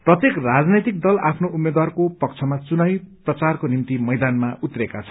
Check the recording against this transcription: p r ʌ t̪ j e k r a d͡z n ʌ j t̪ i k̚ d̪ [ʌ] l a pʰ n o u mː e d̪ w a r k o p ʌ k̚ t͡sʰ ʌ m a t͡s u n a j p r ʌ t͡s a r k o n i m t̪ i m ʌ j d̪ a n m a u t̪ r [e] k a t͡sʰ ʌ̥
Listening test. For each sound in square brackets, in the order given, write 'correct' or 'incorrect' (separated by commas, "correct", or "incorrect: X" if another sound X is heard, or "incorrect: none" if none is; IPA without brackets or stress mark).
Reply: correct, correct